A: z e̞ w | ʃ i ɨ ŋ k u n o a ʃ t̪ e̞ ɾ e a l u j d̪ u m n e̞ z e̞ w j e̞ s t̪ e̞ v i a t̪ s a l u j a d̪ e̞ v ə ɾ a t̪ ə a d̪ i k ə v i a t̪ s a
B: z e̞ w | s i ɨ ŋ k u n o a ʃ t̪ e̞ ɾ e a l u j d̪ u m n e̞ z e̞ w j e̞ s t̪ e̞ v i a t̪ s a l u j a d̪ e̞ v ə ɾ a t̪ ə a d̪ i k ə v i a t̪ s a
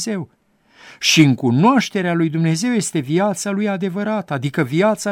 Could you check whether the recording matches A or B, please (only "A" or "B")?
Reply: A